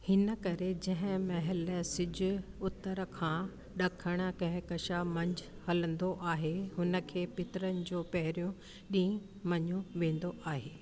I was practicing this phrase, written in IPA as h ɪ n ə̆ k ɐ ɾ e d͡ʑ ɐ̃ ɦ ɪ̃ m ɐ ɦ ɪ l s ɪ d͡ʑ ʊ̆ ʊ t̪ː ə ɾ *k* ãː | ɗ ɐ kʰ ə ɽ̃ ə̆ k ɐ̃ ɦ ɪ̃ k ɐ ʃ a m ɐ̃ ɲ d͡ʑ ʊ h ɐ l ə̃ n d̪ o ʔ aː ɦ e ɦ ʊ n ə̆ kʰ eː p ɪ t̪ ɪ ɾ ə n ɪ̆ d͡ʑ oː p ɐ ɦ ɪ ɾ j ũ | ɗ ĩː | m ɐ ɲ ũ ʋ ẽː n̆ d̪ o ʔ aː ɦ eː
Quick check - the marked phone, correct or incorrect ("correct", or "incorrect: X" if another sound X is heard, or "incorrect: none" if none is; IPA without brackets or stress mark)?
incorrect: kʰ